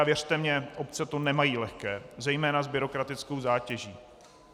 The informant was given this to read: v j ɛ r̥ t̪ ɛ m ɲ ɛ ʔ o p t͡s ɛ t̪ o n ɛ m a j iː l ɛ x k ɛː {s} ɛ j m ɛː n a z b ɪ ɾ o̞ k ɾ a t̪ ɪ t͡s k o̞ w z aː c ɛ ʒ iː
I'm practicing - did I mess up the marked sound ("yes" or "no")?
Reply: yes